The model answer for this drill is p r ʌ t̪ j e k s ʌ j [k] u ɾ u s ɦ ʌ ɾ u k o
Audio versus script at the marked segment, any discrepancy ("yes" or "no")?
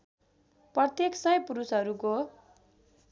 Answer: yes